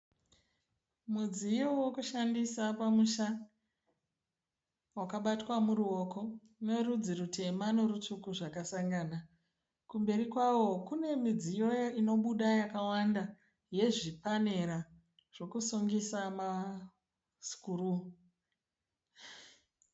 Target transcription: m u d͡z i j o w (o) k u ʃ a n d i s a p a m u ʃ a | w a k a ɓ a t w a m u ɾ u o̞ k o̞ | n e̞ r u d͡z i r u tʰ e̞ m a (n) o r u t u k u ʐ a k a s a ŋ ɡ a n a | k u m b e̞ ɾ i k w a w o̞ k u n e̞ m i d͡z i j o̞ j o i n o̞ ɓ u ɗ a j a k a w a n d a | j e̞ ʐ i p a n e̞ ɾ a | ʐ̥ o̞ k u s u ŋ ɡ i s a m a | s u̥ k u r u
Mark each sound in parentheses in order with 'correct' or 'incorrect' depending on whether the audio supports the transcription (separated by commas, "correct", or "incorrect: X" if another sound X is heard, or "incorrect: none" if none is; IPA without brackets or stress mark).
correct, correct